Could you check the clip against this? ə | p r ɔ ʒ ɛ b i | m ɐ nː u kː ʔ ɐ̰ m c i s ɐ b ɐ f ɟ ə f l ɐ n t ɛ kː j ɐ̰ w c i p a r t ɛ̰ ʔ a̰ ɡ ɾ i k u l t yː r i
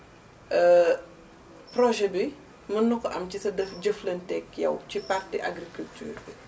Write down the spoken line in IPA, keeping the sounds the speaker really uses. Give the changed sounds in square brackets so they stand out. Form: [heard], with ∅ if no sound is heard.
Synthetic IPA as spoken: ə | p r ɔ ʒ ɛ b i | m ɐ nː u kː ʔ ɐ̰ m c i s ɐ [d] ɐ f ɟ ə f l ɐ n t ɛ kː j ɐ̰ w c i p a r t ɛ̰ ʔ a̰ ɡ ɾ i k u l t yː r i